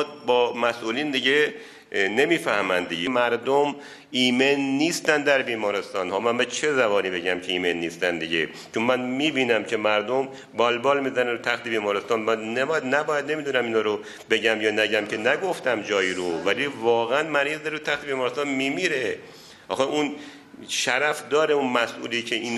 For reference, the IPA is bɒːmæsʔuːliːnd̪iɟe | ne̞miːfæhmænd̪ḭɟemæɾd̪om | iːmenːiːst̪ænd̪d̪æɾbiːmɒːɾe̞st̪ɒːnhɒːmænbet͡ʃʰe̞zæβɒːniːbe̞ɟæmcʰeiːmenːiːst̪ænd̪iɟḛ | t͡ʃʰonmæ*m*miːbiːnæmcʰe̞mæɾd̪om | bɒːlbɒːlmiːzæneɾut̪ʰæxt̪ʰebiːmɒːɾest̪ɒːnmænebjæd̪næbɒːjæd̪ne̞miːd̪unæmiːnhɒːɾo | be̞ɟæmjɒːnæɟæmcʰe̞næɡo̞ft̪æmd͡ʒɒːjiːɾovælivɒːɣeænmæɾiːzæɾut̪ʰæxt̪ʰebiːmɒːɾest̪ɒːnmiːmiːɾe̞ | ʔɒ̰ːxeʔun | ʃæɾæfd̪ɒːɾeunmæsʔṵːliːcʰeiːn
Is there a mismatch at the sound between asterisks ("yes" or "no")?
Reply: yes